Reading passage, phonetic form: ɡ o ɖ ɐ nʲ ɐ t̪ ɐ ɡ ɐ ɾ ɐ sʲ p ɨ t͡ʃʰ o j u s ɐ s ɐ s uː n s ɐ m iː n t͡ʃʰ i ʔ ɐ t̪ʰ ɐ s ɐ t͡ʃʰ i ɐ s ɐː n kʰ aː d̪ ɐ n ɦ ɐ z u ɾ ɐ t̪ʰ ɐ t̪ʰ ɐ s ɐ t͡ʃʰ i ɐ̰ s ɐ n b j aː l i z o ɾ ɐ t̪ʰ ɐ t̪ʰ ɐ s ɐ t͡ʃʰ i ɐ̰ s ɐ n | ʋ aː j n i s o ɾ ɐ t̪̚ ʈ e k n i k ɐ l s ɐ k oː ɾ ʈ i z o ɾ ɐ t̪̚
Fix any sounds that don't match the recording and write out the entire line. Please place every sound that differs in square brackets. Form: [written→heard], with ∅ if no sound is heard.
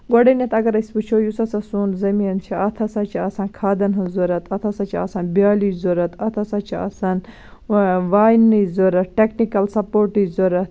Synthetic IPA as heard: ɡ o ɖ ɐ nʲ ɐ t̪ ɐ ɡ ɐ ɾ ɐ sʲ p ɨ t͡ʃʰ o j u s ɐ s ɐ s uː n [s→z] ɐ m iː n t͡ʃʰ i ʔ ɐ t̪ʰ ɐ s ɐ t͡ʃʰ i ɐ s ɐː n kʰ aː d̪ ɐ n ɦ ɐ z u ɾ ɐ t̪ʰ ɐ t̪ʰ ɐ s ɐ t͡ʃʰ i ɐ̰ s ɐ n b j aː l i z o ɾ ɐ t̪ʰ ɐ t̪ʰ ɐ s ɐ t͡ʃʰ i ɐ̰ s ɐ n | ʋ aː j n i [s→z] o ɾ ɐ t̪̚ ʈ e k n i k ɐ l s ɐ [k→p] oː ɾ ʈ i z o ɾ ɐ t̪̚